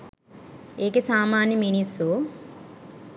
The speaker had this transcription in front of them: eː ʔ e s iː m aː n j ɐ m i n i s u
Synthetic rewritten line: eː k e s aː m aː n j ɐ m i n i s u

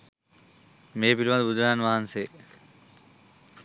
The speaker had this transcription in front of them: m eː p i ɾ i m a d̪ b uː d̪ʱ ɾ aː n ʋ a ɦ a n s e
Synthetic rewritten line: m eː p i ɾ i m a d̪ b u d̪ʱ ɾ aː n ʋ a ɦ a n s e

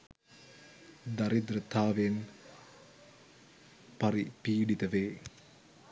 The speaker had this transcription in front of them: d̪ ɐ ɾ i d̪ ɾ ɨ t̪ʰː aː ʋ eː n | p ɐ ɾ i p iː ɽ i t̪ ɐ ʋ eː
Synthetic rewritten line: d̪ ɐ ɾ i d̪ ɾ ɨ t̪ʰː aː ʋ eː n | p ɐ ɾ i p iː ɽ i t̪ ɐ ʋ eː

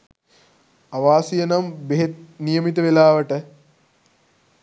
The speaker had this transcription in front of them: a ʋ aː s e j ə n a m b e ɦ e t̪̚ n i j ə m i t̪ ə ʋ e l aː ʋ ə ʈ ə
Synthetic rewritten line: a ʋ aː s i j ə n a m b e ɦ e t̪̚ n i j ə m i t̪ ə ʋ e l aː ʋ ə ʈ ə

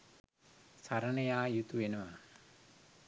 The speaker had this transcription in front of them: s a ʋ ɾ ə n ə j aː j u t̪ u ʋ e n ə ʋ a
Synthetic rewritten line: s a ɾ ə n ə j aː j u t̪ u ʋ e n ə ʋ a

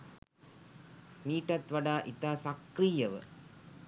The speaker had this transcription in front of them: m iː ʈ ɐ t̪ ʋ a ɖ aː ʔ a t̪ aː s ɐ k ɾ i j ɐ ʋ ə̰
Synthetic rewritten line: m iː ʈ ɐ t̪ ʋ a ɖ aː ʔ i t̪ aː s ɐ k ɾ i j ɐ ʋ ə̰

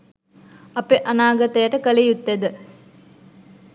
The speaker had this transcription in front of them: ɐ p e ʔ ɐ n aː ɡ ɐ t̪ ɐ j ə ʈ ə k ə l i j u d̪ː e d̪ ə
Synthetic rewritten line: ɐ p e ʔ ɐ n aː ɡ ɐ t̪ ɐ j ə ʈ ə k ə l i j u t̪ː e d̪ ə

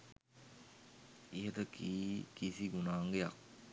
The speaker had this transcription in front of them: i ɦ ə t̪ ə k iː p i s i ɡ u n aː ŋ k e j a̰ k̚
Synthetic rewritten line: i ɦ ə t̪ ə k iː k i s i ɡ u n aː ŋ ɡ e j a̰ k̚

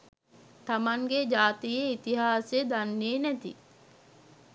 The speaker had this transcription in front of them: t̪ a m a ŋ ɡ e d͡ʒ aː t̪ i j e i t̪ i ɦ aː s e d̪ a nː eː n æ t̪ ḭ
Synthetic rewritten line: t̪ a m a ŋ ɡ e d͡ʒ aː t̪ i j e i t̪ i ɦ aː s e d̪ a nː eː n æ t̪ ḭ

